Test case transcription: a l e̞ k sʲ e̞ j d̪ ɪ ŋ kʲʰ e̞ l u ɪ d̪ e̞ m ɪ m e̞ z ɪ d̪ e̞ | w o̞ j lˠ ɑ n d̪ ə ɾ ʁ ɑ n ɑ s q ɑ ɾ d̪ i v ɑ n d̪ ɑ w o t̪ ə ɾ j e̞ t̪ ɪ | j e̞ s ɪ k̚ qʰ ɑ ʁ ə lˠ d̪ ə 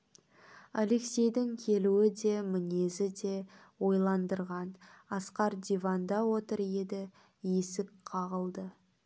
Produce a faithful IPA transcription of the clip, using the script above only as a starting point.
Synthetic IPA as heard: a l e̞ k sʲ e̞ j d̪ ɪ ŋ kʲʰ e̞ l u ɪ d̪ e̞ m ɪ n e̞ z ɪ d̪ e̞ | w o̞ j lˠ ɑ n d̪ ə ɾ ʁ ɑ n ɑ s q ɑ ɾ d̪ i v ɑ n d̪ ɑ w o t̪ ə ɾ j e̞ d̪ ɪ | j e̞ s ɪ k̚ qʰ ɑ ʁ ə lˠ d̪ ə